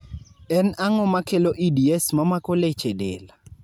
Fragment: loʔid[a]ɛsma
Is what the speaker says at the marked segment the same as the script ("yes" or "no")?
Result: no